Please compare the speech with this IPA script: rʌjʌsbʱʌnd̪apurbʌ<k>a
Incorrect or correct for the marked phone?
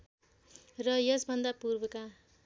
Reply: correct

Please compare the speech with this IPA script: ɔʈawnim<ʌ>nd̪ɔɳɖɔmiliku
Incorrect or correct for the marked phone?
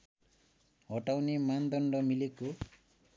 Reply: incorrect: a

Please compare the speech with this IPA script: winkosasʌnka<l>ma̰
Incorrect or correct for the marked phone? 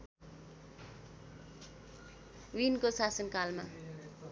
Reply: correct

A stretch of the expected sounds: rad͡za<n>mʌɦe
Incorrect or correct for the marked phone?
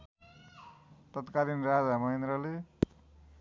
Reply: incorrect: none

